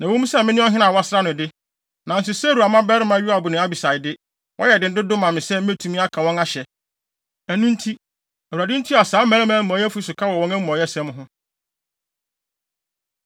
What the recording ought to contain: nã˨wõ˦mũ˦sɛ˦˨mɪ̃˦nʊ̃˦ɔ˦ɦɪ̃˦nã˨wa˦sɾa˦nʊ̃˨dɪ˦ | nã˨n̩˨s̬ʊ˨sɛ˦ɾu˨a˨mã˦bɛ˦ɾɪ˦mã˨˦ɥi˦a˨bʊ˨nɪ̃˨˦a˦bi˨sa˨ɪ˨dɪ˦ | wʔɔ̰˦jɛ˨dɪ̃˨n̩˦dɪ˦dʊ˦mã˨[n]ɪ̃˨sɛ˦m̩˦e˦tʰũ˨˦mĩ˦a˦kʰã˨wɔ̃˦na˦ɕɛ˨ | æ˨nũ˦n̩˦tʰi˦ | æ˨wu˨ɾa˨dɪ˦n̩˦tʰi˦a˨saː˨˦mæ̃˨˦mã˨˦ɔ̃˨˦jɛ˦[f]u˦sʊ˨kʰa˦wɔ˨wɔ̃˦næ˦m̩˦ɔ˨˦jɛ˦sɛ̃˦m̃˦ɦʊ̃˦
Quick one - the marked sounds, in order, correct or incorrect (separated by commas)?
incorrect, correct